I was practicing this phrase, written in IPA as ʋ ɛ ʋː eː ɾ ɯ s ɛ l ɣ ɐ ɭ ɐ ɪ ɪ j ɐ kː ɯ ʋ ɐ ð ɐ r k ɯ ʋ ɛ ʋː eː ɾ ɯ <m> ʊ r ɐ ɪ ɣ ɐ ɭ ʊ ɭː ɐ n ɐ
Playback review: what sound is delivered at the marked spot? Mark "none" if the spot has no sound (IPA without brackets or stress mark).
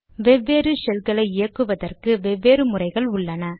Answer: m